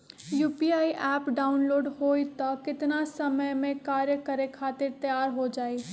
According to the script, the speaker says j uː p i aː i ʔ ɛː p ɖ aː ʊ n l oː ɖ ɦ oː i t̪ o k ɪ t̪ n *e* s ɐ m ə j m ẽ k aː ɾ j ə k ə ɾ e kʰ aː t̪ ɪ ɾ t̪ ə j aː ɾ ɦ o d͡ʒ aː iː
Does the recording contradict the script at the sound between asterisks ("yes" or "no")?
yes